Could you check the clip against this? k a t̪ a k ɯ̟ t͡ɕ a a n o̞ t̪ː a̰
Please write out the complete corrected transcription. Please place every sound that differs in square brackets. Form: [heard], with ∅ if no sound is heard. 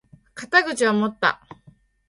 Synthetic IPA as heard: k a t̪ a [ɡ] ɯ̟ t͡ɕ [i] a [m] o̞ t̪ː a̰